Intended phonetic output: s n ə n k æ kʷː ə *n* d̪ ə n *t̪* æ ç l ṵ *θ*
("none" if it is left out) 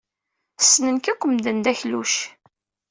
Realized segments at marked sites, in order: m, d̪, ʃ

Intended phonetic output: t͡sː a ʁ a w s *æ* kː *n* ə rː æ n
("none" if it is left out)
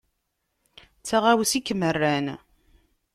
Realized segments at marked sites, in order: i, m

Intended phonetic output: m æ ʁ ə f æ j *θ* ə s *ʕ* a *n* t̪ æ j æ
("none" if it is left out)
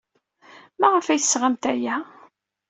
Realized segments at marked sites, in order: θ, ʁ, m

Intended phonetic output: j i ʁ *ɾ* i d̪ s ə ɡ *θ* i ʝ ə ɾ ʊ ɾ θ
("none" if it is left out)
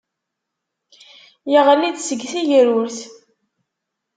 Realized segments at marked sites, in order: l, θ

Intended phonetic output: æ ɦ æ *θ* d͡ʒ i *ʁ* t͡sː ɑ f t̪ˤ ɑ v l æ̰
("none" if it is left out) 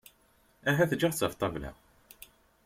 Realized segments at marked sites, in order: θ, ʁ

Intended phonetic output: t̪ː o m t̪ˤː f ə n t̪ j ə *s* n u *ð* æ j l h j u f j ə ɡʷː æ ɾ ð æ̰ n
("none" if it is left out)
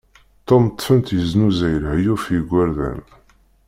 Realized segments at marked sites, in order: z, z

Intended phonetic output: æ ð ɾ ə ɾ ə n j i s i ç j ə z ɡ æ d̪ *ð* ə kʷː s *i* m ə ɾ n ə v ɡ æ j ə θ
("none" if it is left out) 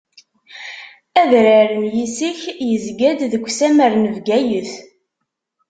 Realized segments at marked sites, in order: ð, æ

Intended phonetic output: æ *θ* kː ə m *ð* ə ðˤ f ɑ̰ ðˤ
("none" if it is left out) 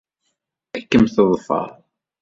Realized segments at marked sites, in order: none, θ

